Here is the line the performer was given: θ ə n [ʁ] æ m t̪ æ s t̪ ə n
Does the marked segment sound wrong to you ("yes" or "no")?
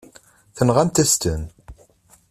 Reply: no